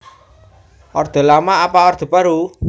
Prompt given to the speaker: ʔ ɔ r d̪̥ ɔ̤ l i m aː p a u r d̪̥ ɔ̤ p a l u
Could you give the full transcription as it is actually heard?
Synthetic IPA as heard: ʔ ɔ r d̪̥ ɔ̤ l a m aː p a ɔ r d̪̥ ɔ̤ p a ɾ u